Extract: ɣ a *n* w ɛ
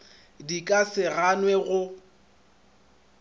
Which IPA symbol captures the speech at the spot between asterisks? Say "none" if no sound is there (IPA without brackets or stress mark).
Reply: n